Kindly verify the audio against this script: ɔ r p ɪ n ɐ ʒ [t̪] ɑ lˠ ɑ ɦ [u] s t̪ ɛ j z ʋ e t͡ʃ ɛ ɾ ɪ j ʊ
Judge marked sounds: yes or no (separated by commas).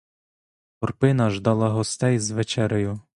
no, no